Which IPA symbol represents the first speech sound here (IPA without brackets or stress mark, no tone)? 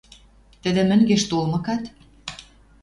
t̪